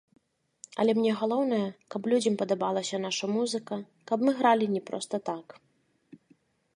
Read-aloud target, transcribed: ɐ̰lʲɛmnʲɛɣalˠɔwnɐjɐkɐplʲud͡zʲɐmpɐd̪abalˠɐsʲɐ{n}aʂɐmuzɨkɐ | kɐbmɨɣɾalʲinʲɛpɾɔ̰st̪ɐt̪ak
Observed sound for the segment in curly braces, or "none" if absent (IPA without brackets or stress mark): n